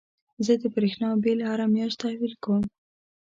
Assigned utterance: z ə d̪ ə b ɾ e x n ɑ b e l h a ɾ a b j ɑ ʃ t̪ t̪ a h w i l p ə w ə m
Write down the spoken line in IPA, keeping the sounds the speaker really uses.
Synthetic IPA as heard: z ə d̪ ə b ɾ e x n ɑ b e l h a ɾ a m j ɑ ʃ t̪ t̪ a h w i l k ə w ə m